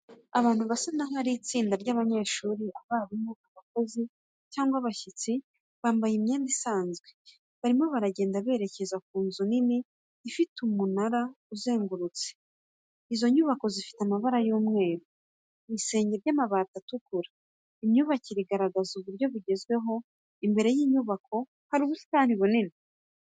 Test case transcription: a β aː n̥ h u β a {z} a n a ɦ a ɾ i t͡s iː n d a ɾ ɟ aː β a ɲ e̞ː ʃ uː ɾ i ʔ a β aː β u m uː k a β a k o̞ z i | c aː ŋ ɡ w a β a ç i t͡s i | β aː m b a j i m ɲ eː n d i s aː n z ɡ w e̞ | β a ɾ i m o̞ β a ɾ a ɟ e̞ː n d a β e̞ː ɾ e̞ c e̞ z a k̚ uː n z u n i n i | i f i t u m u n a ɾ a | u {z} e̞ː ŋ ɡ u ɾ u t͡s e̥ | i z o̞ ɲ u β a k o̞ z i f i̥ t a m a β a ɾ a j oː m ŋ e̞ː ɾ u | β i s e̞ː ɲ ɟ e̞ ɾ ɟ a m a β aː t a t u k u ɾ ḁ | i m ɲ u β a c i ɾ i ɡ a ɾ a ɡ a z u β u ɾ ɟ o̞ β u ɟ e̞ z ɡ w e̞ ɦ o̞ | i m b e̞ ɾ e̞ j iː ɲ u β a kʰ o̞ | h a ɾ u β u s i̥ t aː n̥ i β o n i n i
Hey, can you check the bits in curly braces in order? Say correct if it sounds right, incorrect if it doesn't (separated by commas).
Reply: incorrect, correct